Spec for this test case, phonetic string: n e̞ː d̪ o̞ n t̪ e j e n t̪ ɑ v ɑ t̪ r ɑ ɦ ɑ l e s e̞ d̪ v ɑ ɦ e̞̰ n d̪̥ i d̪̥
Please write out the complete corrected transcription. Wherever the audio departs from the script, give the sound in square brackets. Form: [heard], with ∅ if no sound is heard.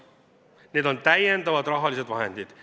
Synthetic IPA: n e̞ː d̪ o̞ n t̪ [æ] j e n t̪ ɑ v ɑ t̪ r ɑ ɦ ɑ l [i] s e̞ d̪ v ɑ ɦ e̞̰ n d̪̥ i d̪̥